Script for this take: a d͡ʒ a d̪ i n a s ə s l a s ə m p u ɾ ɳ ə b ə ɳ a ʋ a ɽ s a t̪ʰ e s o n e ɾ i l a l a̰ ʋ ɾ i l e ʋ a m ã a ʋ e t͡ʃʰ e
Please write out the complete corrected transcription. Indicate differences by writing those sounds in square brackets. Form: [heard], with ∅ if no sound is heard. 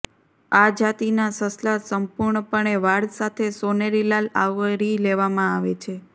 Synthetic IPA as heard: a d͡ʒ a [t̪] i n a s ə s l a s ə m p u ɾ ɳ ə [p] ə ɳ [e] ʋ a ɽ s a t̪ʰ e s o n e ɾ i l a l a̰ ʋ ɾ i l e ʋ a m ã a ʋ e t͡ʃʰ e